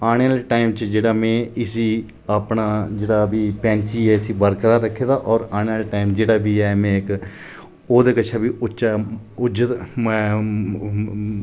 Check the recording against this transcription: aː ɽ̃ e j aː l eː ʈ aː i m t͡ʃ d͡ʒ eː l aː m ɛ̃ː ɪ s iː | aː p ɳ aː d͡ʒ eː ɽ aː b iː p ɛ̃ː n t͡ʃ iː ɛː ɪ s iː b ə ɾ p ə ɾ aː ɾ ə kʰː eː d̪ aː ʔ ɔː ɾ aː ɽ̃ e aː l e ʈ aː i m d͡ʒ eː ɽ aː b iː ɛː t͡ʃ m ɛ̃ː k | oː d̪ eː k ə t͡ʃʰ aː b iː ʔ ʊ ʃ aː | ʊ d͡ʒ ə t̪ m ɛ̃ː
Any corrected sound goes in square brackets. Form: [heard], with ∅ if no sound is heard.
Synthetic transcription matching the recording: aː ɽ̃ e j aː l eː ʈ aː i m t͡ʃ d͡ʒ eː [ɽ] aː m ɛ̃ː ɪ s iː | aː p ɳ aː d͡ʒ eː ɽ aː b iː p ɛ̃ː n t͡ʃ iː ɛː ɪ s iː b ə ɾ [k] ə ɾ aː ɾ ə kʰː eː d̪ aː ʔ ɔː ɾ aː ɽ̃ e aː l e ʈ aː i m d͡ʒ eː ɽ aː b iː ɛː [∅] m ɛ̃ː k | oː d̪ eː k ə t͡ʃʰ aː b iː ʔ ʊ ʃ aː | ʊ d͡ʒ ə t̪ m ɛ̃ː

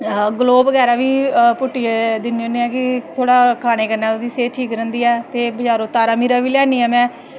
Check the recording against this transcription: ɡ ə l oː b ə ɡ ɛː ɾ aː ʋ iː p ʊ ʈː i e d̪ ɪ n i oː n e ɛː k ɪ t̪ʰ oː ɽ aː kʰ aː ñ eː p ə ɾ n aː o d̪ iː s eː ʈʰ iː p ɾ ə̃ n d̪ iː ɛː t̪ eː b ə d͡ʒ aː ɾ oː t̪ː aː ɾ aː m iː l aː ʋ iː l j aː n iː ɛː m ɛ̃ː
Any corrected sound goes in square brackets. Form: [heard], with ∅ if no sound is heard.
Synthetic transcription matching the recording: ɡ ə l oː b ə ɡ ɛː ɾ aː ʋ iː p ʊ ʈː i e d̪ ɪ n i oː n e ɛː k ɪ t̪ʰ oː ɽ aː kʰ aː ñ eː [k] ə ɾ n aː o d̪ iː s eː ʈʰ iː [k] ɾ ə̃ n d̪ iː ɛː t̪ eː b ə d͡ʒ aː ɾ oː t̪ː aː ɾ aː m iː [ɾ] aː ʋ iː l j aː n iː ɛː m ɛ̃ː

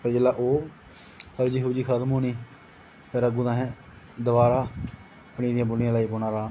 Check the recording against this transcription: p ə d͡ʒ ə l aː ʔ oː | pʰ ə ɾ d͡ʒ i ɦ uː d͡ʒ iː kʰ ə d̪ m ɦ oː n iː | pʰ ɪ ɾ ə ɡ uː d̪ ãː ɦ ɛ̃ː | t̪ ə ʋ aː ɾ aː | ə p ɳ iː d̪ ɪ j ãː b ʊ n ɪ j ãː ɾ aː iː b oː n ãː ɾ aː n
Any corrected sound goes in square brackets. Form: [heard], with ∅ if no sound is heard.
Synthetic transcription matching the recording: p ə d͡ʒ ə l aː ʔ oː | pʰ ə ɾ d͡ʒ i ɦ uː d͡ʒ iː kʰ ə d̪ m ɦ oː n iː | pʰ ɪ ɾ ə ɡ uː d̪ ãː ɦ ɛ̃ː | [d̪] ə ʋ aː ɾ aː | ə p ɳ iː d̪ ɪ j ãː b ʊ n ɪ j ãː [l] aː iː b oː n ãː ɾ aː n

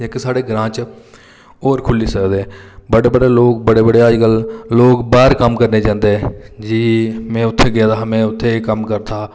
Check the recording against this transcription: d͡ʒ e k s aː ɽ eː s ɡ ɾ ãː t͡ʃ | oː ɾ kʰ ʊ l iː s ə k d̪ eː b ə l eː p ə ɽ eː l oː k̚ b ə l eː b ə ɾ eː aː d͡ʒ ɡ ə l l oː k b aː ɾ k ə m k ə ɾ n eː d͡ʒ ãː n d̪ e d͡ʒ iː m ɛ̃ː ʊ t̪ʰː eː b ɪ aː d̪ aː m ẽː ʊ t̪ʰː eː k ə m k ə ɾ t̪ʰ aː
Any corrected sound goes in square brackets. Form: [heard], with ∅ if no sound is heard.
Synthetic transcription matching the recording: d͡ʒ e k s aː ɽ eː [∅] ɡ ɾ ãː t͡ʃ | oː ɾ kʰ ʊ l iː s ə k d̪ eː b ə [ɽ] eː [b] ə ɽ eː l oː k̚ b ə [ɽ] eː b ə [ɽ] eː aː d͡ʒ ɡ ə l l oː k b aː ɾ k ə m k ə ɾ n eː d͡ʒ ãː n d̪ e d͡ʒ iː m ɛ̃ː ʊ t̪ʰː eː [ɡ] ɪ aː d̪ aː m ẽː ʊ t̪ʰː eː k ə m k ə ɾ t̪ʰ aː

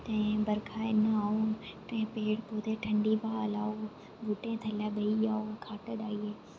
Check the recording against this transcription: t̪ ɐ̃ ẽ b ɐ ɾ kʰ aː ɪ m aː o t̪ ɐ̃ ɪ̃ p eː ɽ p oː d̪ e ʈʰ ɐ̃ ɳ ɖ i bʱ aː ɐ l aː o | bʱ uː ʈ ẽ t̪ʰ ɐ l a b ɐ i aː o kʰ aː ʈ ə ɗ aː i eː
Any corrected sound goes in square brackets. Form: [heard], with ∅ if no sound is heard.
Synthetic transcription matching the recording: t̪ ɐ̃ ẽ b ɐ ɾ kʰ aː ɪ [n] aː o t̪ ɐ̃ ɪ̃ p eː ɽ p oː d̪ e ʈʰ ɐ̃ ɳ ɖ i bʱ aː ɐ l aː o | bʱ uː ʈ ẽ t̪ʰ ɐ l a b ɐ i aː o kʰ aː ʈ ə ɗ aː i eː

